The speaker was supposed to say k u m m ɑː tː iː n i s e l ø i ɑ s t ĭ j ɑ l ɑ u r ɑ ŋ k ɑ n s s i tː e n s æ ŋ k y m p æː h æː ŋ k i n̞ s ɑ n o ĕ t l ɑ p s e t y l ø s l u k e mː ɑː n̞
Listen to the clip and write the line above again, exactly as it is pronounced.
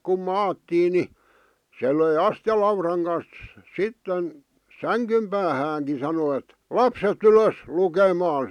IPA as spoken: k u m m ɑː tː iː n i s e l ø i ɑ s t ĭ j ɑ l ɑ u r ɑ ŋ k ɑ n s s i tː e n s æ ŋ k y m p æː h æː ŋ k i n̞ s ɑ n o ĕ t l ɑ p s e t y l ø s l u k e m ɑː n̞